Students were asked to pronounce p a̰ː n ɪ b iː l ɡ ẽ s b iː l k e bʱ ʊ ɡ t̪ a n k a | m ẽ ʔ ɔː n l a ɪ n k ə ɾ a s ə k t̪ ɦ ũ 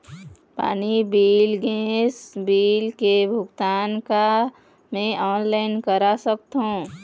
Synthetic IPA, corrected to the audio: p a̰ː n i b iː l ɡ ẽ s b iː l k e bʱ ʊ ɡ t̪ a n k a | m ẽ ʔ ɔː n l a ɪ n k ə ɾ a s ə k t̪ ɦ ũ